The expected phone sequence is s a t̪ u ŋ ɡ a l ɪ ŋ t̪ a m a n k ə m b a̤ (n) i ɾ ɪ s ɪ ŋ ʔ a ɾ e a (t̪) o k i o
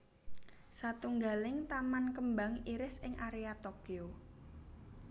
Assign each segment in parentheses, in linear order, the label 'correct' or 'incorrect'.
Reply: incorrect: ŋ, correct

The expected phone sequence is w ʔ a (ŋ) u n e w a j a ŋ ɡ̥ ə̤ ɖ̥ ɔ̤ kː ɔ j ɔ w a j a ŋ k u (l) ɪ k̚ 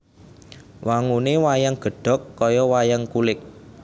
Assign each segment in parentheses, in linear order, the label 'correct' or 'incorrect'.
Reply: correct, correct

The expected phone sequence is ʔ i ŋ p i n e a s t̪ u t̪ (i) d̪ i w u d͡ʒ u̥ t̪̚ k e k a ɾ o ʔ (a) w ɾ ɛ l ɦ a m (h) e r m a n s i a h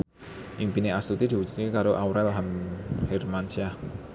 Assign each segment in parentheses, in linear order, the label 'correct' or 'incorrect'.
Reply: correct, correct, correct

